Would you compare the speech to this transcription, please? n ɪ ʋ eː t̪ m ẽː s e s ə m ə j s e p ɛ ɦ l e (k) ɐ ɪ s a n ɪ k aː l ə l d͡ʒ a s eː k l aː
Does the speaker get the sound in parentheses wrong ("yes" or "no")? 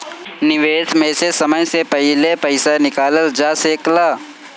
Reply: yes